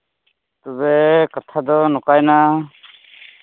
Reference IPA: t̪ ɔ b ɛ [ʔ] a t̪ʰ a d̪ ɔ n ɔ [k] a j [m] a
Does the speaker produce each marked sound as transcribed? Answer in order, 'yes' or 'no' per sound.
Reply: no, yes, no

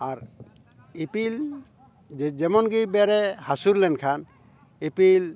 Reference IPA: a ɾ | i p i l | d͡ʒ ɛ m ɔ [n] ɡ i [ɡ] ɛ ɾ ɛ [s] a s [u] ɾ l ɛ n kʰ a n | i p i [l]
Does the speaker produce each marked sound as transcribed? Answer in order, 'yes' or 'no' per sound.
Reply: yes, no, no, yes, yes

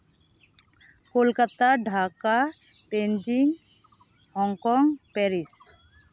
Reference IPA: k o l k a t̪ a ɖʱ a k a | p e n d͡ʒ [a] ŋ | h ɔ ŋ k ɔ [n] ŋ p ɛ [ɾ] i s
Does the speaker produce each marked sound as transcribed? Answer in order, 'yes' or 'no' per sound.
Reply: no, no, yes

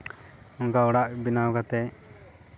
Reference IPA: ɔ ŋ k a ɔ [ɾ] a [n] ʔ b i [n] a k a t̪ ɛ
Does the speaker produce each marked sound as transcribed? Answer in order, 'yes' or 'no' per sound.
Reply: no, no, yes

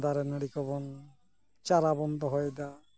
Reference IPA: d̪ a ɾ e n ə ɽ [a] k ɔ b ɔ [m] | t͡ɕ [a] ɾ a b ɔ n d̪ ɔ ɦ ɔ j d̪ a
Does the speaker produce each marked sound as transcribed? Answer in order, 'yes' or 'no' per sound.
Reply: no, no, yes

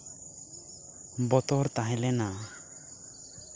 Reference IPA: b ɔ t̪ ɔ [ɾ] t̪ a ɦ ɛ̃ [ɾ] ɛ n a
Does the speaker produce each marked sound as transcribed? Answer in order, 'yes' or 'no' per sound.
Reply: yes, no

